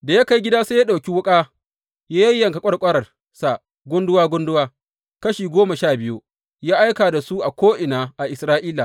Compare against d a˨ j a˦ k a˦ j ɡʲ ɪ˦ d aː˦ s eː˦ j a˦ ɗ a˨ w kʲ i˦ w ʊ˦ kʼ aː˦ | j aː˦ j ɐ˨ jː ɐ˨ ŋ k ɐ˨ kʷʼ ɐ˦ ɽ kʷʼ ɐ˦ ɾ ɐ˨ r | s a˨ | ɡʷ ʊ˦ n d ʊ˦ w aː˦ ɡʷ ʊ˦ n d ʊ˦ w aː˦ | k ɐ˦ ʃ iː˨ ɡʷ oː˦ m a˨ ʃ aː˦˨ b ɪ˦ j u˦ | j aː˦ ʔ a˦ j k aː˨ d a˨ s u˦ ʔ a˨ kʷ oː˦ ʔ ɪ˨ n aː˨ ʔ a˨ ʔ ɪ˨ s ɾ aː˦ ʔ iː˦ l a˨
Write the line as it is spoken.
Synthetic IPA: d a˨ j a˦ k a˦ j ɡʲ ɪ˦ d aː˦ s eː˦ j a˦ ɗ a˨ w kʲ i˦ w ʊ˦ kʼ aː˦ | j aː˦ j ɐ˦ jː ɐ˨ ŋ k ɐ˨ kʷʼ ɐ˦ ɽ kʷʼ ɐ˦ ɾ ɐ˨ r | s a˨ | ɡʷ ʊ˦ n d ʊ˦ w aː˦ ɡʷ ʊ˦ n d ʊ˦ w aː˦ | k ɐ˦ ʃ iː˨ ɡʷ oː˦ m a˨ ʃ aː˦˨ b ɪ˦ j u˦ | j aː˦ ʔ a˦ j k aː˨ d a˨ s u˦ ʔ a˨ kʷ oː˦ ʔ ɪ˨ n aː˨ ʔ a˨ ʔ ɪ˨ s ɾ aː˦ ʔ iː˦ l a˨

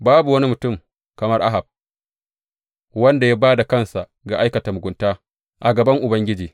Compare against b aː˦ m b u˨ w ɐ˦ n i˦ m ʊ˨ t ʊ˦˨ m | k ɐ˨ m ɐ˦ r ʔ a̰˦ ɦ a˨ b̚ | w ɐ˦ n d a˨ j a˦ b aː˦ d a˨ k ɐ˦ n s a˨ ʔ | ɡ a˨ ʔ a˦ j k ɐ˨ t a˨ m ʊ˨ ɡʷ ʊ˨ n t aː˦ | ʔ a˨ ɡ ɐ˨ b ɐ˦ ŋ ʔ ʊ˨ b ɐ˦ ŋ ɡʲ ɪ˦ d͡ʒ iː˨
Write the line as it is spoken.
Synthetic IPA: b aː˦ b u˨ w ɐ˦ n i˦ m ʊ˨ t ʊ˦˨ m | k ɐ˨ m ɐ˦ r ʔ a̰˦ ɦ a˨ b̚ | w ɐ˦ n d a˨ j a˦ b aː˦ d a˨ k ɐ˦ n s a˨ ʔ | ɡ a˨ ʔ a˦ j k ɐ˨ t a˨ m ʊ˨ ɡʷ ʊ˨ n t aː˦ | ʔ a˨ ɡ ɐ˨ b ɐ˦ ŋ ʔ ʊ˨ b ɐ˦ ŋ ɡʲ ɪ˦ d͡ʒ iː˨

